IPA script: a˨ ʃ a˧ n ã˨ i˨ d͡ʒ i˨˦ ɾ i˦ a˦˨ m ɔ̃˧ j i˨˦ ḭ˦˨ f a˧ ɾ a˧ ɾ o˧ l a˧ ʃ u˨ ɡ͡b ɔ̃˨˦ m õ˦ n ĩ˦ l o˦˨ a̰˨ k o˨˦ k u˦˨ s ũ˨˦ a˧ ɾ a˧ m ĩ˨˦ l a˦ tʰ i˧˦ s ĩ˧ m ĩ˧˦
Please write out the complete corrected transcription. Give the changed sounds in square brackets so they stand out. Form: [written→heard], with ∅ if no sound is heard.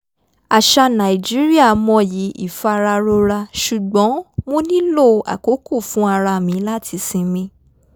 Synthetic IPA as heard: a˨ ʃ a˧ n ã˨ i˨ d͡ʒ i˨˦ ɾ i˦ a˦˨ m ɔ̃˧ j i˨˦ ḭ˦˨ f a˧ ɾ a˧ ɾ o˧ [l→ɾ] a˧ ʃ u˨ ɡ͡b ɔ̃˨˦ m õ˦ n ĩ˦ l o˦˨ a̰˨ k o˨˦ k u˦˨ [s→f] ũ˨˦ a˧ ɾ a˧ m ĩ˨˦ l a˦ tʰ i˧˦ s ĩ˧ m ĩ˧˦

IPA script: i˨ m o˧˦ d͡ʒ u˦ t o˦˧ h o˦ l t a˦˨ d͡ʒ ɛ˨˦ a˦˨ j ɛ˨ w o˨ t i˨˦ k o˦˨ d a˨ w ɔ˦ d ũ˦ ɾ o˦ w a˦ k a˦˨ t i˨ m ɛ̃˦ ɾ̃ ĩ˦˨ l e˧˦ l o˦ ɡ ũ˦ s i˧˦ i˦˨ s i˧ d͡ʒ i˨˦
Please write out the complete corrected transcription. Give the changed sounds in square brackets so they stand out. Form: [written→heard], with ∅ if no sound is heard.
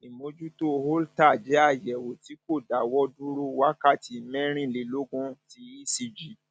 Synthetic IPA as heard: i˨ m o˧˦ d͡ʒ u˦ t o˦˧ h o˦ l t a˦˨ d͡ʒ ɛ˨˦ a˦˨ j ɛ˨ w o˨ t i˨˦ k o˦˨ d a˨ w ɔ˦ d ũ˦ ɾ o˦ w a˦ k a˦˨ t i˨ m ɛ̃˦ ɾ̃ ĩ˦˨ l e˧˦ l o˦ ɡ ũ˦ [s→t] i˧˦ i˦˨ s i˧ d͡ʒ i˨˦

